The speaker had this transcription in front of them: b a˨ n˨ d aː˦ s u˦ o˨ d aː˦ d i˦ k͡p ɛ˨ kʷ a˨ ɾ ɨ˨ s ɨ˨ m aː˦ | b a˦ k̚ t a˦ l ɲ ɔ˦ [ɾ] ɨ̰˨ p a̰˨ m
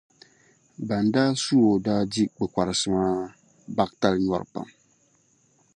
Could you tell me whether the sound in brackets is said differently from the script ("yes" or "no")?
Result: no